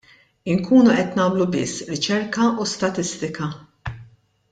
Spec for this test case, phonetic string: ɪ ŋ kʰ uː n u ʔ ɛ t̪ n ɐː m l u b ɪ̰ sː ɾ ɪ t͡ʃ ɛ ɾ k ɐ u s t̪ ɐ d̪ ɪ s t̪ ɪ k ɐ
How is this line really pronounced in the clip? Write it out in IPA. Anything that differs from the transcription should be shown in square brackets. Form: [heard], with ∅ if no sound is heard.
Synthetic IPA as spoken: ɪ ŋ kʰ uː n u ʔ ɛ t̪ n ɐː m l u b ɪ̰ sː ɾ ɪ t͡ʃ ɛ ɾ k ɐ u s t̪ ɐ [t̪] ɪ s t̪ ɪ k ɐ